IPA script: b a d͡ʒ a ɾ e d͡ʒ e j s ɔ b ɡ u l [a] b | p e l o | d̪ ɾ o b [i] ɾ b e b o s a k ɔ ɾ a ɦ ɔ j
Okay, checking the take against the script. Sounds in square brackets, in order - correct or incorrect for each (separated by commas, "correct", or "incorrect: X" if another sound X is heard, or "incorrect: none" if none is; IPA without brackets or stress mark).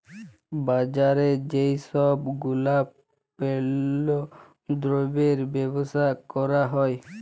correct, incorrect: e